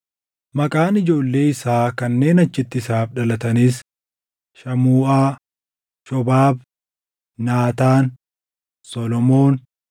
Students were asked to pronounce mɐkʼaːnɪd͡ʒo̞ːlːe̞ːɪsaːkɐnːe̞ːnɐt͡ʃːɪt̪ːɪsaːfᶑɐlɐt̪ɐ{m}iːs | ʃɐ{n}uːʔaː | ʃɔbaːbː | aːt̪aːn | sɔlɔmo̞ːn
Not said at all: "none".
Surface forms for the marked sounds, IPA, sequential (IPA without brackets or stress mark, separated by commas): n, m